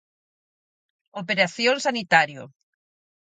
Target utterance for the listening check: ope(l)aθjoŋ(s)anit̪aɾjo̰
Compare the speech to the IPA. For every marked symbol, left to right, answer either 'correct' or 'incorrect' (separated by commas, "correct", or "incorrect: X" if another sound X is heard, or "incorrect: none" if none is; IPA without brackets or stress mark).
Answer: incorrect: ɾ, correct